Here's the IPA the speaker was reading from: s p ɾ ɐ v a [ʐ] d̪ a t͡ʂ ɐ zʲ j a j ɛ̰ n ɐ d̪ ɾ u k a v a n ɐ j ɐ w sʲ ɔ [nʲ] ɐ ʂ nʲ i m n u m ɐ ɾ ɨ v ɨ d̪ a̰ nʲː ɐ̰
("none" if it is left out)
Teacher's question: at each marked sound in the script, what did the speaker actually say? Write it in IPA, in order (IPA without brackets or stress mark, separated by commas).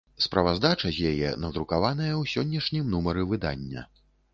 z, nʲː